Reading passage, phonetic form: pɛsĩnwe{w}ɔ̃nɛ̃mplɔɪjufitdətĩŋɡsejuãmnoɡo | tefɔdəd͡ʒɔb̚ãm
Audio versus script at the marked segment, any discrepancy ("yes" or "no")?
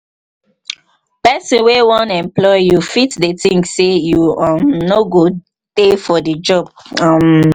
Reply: no